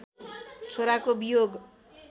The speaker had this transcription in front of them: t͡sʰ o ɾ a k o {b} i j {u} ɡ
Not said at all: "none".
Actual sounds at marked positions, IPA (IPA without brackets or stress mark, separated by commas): b, o